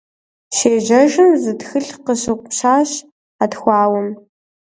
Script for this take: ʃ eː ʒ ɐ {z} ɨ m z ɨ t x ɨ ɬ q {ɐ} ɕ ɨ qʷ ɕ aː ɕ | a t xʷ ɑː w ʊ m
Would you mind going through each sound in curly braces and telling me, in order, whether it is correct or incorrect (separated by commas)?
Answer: incorrect, incorrect